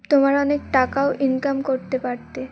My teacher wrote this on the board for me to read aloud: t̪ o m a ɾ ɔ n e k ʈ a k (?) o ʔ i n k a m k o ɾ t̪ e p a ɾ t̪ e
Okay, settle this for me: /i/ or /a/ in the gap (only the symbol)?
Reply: a